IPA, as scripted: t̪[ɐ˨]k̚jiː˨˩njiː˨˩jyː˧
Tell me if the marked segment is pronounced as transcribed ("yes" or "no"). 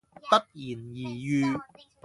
no